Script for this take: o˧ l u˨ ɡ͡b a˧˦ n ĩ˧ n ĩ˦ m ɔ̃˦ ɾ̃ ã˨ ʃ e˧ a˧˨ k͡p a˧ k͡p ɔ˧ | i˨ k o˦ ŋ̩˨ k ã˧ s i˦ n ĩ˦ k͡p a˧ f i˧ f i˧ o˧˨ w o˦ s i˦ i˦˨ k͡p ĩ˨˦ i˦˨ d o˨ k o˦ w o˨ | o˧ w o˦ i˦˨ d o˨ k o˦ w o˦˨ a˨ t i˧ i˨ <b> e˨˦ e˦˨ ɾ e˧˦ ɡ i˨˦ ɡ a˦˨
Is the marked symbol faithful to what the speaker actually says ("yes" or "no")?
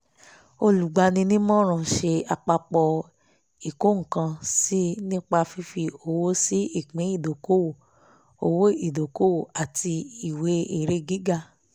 no